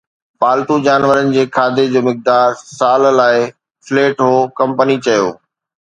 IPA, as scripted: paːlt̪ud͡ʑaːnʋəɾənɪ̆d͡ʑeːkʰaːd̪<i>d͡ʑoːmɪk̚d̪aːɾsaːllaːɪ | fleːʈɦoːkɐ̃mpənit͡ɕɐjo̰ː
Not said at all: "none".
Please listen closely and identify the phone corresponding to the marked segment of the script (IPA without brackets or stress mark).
e